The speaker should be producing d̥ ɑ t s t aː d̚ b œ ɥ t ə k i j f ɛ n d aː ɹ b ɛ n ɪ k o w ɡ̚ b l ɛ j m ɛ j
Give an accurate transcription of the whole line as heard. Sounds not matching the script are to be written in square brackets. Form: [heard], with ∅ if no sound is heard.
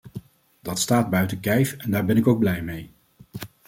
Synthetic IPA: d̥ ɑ t s t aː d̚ b œ ɥ t ə k [ɛ] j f ɛ n d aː ɹ b ɛ n ɪ k o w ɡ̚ b l ɛ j m [e] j